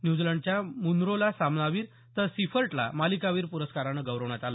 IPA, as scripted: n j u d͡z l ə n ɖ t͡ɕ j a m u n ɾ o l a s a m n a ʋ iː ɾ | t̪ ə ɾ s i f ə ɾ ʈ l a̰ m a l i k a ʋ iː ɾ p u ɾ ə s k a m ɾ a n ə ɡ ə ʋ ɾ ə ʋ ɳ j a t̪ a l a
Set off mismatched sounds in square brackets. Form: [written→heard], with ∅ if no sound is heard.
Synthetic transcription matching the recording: n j u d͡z l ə [n→ɳ] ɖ t͡ɕ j a m u n ɾ o l a s a m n a ʋ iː ɾ | t̪ ə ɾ s i f ə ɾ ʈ l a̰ m a l i k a ʋ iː ɾ p u ɾ ə s k a [m→∅] ɾ a n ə ɡ ə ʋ ɾ ə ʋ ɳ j a t̪ a l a

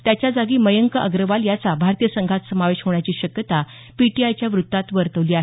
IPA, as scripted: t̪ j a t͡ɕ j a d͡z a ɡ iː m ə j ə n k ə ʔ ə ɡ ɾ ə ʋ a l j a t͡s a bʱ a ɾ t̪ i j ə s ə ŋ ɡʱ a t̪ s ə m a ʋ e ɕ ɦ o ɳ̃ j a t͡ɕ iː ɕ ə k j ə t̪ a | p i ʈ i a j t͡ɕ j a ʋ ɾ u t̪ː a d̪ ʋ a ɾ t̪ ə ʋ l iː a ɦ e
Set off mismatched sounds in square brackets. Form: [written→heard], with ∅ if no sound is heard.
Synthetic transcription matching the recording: t̪ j a t͡ɕ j a d͡z a ɡ iː m ə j ə [n→ŋ] k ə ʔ ə ɡ ɾ ə ʋ a l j a t͡s a bʱ a ɾ t̪ i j ə s ə ŋ ɡʱ a t̪ s ə m a ʋ e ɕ ɦ o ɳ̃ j a t͡ɕ iː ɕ ə k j ə t̪ a | p i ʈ i a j t͡ɕ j a ʋ ɾ u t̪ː a [d̪→t̪] ʋ [a→ə] ɾ t̪ ə ʋ l iː a ɦ e

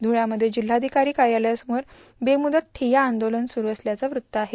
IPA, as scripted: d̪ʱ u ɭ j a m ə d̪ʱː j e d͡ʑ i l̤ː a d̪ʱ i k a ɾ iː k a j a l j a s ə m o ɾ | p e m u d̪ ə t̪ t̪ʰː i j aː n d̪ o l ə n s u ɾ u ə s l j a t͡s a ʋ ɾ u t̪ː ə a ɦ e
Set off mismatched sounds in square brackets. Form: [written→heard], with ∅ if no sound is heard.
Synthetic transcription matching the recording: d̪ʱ u ɭ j a m ə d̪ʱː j e d͡ʑ i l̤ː a d̪ʱ i k a ɾ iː k a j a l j a s ə m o ɾ | [p→b] e m u d̪ ə t̪ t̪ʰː i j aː n d̪ o l ə n s u ɾ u ə s l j a t͡s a ʋ ɾ u t̪ː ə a ɦ e

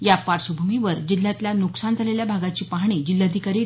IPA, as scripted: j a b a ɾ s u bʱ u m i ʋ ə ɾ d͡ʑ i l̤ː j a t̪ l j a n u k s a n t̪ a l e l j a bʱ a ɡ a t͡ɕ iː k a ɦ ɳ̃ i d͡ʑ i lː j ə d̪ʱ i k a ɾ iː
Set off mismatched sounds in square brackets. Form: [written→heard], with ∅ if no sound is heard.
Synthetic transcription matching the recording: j a [b→p] a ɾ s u bʱ u m i ʋ ə ɾ d͡ʑ i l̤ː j a t̪ l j a n u k s a n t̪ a l e l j a bʱ a ɡ a t͡ɕ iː [k→p] a ɦ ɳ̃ i d͡ʑ i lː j [ə→a] d̪ʱ i k a ɾ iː

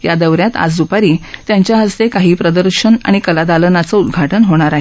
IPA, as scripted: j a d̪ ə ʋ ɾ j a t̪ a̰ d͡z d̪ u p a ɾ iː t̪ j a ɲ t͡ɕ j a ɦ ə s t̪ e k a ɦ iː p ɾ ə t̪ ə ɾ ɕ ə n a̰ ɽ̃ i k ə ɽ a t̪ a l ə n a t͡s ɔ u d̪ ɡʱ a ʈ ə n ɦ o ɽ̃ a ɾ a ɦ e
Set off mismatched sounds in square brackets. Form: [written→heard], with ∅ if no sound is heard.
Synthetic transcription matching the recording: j a d̪ ə ʋ ɾ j a t̪ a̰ d͡z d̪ u p a ɾ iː t̪ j a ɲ t͡ɕ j a ɦ ə s t̪ e k a ɦ iː p ɾ ə [t̪→d̪] ə ɾ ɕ ə n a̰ ɽ̃ i k ə [ɽ→l] a [t̪→d̪] a l ə n a t͡s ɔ u d̪ ɡʱ a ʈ ə n ɦ o ɽ̃ a ɾ a ɦ e

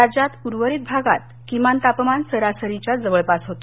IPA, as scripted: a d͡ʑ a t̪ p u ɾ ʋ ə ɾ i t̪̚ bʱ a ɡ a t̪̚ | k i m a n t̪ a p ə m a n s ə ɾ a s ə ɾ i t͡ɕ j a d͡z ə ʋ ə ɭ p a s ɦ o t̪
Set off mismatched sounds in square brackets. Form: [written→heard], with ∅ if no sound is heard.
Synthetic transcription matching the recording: a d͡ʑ a t̪ p u ɾ ʋ ə ɾ i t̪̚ bʱ a ɡ a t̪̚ | k i m a n t̪ a p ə m a n s ə ɾ a s ə ɾ i t͡ɕ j a d͡z ə ʋ ə ɭ p a s ɦ o t̪

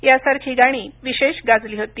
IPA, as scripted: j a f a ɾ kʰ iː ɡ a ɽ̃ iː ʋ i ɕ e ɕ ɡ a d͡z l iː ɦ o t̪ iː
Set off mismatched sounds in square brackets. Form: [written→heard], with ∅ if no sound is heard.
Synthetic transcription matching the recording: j a [f→s] a ɾ kʰ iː ɡ a ɽ̃ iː ʋ i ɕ e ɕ ɡ a d͡z l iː ɦ o t̪ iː

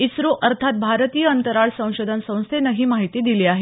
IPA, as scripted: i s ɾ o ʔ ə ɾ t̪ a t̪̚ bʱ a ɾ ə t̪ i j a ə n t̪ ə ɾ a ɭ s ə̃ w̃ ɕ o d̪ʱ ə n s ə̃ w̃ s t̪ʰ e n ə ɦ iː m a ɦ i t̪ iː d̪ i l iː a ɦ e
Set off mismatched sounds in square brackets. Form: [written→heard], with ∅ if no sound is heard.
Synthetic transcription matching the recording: i s ɾ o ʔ ə ɾ [t̪→t̪ʰ] a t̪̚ bʱ a ɾ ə t̪ i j [a→ə] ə n t̪ ə ɾ a ɭ s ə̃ w̃ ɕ o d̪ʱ ə n s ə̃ w̃ s t̪ʰ e n ə ɦ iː m a ɦ i t̪ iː d̪ i l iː a ɦ e

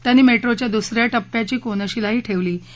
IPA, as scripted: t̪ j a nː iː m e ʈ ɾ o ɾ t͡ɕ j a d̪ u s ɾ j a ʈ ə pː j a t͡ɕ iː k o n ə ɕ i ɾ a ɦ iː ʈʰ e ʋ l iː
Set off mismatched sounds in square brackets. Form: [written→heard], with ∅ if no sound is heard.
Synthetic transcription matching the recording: t̪ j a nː iː m e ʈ ɾ o [ɾ→∅] t͡ɕ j a d̪ u s ɾ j a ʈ ə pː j a t͡ɕ iː k o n ə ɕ i [ɾ→l] a ɦ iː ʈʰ e ʋ l iː

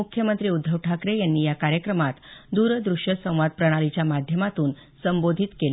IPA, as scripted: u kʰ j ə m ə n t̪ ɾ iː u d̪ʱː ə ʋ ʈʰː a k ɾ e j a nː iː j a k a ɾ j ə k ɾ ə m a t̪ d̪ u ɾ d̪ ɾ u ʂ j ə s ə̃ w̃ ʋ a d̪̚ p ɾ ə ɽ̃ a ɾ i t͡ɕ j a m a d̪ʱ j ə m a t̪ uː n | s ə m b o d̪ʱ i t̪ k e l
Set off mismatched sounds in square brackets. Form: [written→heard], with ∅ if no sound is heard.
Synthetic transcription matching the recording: u kʰ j ə m ə n t̪ ɾ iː u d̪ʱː ə ʋ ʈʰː a k ɾ e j a nː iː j a k a ɾ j ə k ɾ ə m a t̪ d̪ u ɾ d̪ ɾ u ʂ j ə s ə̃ w̃ ʋ a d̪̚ p ɾ ə ɽ̃ a [ɾ→l] i t͡ɕ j a m a d̪ʱ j ə m a t̪ uː n | s ə m b o d̪ʱ i t̪ k e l

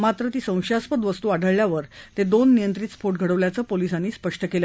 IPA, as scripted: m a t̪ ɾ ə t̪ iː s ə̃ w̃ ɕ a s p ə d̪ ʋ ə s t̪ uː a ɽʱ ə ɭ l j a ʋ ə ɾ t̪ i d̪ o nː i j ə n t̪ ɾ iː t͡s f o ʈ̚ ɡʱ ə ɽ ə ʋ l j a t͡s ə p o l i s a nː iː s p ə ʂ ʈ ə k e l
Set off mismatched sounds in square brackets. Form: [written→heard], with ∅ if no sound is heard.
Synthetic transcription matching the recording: m a t̪ ɾ ə t̪ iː s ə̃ w̃ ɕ a s p ə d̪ ʋ ə s t̪ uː a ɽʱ ə ɭ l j a ʋ ə ɾ t̪ [i→e] d̪ o nː i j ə n t̪ ɾ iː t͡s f o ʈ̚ ɡʱ ə ɽ ə ʋ l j a t͡s ə p o l i s a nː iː s p ə ʂ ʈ ə k e l

